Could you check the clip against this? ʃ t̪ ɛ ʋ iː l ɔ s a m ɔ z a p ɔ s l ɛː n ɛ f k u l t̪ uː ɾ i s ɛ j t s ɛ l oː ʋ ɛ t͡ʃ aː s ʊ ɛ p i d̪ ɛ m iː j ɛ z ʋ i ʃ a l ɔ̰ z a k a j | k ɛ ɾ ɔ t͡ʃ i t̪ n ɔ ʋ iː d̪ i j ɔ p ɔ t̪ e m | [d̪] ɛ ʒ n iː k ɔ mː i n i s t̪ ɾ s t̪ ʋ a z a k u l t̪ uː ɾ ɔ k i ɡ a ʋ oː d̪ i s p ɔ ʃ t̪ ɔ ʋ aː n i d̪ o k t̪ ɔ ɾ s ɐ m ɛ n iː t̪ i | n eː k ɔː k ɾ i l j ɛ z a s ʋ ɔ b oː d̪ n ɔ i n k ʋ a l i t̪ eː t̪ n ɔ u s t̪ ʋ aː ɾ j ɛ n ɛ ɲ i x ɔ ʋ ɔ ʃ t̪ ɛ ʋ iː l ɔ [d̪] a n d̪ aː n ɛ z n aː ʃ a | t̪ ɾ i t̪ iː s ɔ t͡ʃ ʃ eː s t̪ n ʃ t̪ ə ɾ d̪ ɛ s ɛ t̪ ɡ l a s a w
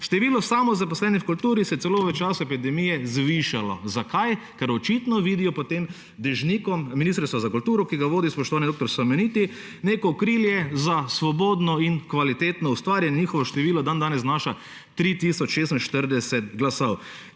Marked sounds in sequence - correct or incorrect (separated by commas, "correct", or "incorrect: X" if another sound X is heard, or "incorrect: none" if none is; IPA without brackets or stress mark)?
correct, correct